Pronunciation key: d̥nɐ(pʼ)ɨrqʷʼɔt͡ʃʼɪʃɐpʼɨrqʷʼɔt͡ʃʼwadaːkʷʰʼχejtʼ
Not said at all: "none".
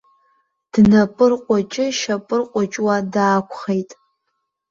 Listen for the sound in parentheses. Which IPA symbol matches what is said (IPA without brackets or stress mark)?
pʼ